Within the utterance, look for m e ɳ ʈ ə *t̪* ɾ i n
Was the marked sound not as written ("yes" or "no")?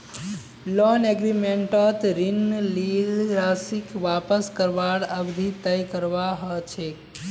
no